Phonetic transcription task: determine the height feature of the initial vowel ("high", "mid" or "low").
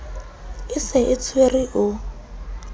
high